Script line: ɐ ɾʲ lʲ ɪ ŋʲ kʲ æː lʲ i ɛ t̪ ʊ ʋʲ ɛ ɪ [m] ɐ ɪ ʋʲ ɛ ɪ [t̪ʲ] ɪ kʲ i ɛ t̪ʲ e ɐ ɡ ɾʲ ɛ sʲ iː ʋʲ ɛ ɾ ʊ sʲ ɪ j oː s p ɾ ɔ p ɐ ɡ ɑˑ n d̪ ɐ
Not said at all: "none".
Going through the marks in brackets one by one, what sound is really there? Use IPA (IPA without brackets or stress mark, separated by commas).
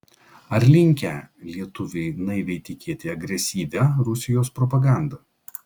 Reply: n, t̪ʲ